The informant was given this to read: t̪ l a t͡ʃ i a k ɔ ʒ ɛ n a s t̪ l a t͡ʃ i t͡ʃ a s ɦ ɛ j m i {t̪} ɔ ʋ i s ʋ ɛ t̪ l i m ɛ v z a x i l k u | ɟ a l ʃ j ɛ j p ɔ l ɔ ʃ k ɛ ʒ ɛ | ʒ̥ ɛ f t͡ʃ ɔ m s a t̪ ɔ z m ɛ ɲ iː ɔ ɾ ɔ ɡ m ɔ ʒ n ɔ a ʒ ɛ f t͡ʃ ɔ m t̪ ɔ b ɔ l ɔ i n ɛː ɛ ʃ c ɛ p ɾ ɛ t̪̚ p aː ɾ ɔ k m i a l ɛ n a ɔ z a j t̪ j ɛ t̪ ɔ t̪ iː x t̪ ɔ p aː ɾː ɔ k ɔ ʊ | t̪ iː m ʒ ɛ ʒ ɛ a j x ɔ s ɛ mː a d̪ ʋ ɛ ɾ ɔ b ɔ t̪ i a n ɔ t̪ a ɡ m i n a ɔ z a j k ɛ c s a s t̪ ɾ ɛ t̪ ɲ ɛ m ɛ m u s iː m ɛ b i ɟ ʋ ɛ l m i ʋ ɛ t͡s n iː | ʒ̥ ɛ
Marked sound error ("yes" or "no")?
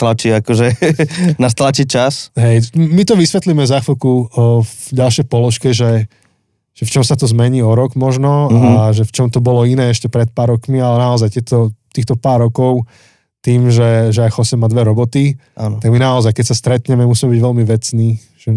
no